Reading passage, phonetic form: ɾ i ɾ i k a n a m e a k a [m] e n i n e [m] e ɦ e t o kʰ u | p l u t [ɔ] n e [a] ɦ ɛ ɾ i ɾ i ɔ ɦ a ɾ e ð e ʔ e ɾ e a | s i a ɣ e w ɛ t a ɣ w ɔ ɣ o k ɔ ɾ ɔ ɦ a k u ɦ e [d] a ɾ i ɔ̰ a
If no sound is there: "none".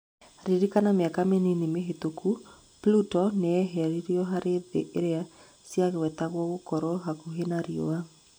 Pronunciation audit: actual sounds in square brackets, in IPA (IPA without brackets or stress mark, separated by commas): m, m, ɔ, ɛ, n